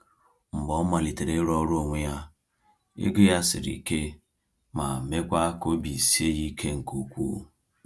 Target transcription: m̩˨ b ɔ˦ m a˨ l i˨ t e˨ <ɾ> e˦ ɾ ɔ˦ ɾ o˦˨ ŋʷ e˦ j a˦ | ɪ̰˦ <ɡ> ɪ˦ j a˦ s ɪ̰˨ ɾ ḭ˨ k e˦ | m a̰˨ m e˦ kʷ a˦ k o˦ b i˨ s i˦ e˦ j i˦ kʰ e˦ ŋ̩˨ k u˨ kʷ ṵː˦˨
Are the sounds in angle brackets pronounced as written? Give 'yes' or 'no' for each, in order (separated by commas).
yes, yes